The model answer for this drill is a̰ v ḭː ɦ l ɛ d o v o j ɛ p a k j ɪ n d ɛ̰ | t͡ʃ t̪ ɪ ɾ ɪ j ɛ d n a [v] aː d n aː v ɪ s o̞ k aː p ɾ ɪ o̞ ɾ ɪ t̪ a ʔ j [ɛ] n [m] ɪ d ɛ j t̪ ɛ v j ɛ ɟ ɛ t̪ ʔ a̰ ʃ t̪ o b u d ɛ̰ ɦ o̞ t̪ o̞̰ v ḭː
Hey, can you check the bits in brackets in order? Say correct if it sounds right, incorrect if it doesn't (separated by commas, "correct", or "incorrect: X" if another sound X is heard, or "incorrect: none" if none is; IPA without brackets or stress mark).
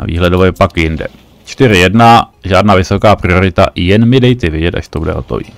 incorrect: ʒ, correct, correct